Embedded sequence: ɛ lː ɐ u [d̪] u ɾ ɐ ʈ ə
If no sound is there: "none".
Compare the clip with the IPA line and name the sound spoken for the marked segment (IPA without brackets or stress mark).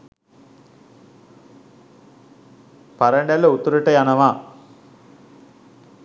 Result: t̪